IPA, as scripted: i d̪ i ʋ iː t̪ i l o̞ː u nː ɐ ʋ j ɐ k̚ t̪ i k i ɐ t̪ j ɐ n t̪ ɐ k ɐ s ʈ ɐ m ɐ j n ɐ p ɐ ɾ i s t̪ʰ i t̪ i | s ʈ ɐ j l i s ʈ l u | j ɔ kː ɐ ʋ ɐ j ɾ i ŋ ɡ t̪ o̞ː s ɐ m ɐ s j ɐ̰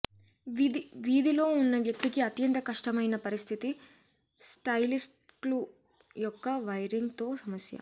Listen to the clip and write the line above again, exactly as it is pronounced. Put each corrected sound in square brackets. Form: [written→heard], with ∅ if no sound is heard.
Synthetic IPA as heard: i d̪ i ʋ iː [t̪→d̪] i l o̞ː u nː ɐ ʋ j ɐ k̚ t̪ i k i ɐ t̪ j ɐ n t̪ ɐ k ɐ [s→ʂ] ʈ ɐ m ɐ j n ɐ p ɐ ɾ i s t̪ʰ i t̪ i | s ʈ ɐ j l i s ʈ l u | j ɔ kː ɐ ʋ ɐ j ɾ i ŋ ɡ t̪ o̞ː s ɐ m ɐ s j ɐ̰

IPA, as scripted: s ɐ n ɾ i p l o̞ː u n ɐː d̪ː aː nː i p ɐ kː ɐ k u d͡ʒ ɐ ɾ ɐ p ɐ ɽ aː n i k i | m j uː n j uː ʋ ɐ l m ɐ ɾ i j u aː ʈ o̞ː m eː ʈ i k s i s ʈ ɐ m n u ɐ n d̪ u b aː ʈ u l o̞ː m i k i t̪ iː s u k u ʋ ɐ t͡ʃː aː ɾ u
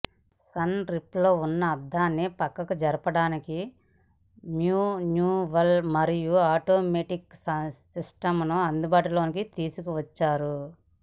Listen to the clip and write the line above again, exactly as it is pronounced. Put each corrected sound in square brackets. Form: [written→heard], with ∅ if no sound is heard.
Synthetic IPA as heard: s ɐ n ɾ i p l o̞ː u [n→nː] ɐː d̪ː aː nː i p ɐ kː ɐ k u d͡ʒ ɐ ɾ ɐ p ɐ ɽ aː n i k i | m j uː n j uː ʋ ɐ l m ɐ ɾ i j u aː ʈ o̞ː m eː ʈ i k s i s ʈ ɐ m n u ɐ n d̪ u b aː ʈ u l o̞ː [m→n] i k i t̪ iː s u k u ʋ ɐ t͡ʃː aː ɾ u

